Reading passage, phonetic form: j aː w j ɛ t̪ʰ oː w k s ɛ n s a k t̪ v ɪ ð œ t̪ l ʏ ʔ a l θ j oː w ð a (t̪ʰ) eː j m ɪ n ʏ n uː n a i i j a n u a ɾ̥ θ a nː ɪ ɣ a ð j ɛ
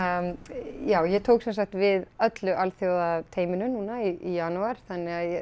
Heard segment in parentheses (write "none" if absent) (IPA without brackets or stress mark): t̪ʰ